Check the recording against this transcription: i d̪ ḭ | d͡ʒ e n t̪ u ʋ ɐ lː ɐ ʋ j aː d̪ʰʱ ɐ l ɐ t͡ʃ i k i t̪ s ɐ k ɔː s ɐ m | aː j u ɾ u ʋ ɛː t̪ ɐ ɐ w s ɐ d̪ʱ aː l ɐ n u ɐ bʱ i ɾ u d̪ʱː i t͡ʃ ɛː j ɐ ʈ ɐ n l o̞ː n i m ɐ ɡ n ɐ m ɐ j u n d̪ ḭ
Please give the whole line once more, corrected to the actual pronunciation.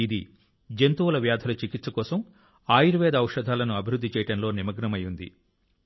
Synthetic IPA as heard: i d̪ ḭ | d͡ʒ e n t̪ u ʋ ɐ l ɐ ʋ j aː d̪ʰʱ ɐ l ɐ t͡ʃ i k i t̪ s ɐ k ɔː s ɐ m | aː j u ɾ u ʋ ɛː d̪ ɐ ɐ w ʂ ɐ d̪ʱ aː l ɐ n u ɐ bʱ i ɾ u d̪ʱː i t͡ʃ ɛː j ɐ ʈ ɐ n l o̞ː n i m ɐ ɡ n ɐ m ɐ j u n d̪ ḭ